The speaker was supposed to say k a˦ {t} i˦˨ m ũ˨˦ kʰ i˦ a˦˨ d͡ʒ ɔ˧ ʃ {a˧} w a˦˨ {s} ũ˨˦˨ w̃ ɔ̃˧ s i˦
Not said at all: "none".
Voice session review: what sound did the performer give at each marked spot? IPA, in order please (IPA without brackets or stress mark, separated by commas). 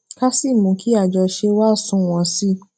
s, e˧, s